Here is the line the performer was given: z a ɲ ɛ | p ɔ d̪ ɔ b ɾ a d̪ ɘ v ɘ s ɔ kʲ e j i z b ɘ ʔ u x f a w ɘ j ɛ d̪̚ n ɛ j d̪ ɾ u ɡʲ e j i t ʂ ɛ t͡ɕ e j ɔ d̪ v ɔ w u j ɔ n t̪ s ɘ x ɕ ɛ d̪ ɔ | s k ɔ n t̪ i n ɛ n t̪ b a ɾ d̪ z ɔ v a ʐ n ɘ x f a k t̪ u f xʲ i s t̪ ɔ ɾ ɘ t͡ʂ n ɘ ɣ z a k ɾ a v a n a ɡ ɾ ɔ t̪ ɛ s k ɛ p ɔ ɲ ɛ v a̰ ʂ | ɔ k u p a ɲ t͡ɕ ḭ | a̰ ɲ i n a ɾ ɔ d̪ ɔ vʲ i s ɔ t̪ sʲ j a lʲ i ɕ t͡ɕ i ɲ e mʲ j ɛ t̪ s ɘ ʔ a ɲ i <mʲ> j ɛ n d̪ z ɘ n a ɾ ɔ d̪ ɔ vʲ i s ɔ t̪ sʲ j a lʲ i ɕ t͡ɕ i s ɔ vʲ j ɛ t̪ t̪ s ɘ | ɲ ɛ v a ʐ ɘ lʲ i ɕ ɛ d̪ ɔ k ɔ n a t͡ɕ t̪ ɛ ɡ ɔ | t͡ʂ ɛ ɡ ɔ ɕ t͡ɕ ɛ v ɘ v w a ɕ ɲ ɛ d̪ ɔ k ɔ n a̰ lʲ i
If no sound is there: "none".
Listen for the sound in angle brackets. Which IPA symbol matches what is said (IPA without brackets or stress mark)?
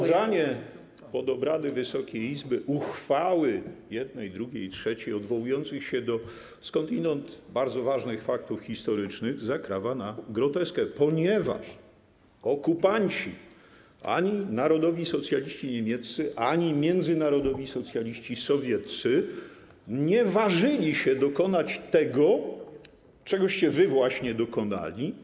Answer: mʲ